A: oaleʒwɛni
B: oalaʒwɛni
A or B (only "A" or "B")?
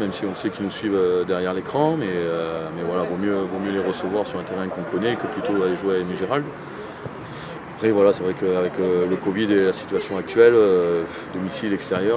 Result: A